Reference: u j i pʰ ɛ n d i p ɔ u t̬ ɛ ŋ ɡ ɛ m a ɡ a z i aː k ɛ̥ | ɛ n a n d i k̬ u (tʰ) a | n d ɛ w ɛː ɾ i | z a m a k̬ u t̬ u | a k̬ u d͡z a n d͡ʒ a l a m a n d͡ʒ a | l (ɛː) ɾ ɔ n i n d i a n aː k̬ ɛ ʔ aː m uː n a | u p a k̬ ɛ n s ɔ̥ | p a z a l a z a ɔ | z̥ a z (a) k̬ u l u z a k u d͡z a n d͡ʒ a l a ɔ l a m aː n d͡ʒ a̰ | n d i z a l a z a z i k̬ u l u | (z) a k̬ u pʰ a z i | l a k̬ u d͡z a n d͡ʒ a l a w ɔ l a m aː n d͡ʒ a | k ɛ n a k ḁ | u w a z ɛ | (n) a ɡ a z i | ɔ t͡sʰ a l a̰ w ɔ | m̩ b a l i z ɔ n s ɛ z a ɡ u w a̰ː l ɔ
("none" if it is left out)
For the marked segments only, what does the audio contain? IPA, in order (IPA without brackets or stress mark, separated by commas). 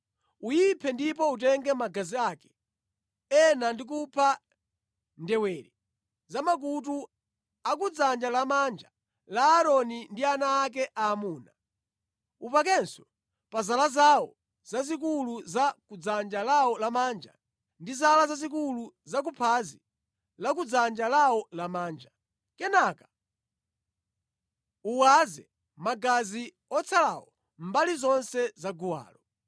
pʰ, aː, i, z, m